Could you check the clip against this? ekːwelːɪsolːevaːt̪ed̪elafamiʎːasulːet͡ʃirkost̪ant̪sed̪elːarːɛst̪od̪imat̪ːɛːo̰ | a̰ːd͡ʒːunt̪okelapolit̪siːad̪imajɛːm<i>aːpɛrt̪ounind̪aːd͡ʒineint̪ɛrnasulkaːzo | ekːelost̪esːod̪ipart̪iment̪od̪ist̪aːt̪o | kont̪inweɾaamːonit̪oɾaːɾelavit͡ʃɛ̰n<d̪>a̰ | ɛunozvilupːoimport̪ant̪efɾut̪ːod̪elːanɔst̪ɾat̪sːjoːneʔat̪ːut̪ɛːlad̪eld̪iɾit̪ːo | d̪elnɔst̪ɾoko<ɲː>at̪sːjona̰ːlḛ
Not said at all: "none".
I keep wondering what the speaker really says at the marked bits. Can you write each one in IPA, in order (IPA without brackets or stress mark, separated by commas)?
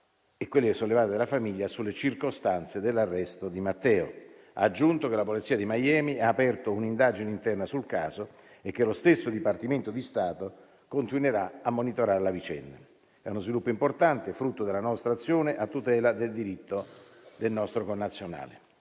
i, d̪, nː